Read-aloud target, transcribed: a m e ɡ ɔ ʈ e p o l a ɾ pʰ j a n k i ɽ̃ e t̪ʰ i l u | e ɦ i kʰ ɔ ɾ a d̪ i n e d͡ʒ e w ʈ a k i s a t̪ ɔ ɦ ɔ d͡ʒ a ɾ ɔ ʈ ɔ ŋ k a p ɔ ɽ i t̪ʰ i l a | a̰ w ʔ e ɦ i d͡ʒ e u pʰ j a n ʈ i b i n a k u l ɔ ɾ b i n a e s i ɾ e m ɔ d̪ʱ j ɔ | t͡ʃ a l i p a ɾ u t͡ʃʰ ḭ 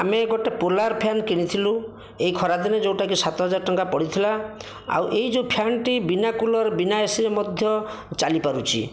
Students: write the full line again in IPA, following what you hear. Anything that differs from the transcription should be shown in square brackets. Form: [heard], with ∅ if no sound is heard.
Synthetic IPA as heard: a m e ɡ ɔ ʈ e p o l a ɾ pʰ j a n k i ɽ̃ [i] t̪ʰ i l u | e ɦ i kʰ ɔ ɾ a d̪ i n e d͡ʒ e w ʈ a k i s a t̪ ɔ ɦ ɔ d͡ʒ a ɾ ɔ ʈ ɔ ŋ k a p ɔ ɽ i t̪ʰ i l a | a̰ w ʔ e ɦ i d͡ʒ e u pʰ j a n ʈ i b i n a k u l ɔ ɾ b i n a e s i ɾ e m ɔ d̪ʱ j ɔ | t͡ʃ a l i p a ɾ u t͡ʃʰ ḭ